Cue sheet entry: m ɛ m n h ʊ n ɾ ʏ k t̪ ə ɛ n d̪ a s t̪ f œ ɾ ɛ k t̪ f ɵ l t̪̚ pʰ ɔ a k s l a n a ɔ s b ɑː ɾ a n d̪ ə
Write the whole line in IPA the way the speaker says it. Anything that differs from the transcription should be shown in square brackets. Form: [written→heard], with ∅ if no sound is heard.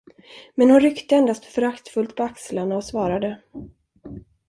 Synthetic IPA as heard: m ɛ [m→∅] n h ʊ n ɾ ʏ k t̪ ə ɛ n d̪ a s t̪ f œ ɾ [ɛ→a] k t̪ f ɵ l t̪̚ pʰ ɔ a k s l a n a ɔ s [b→v] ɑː ɾ a [n→∅] d̪ ə